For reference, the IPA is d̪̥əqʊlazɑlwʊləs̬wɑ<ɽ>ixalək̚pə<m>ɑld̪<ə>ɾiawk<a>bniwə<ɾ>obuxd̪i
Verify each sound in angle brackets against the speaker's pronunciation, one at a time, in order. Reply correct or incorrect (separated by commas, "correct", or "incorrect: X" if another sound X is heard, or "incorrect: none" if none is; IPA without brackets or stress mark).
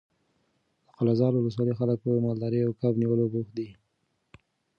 incorrect: l, correct, incorrect: ɑ, correct, incorrect: l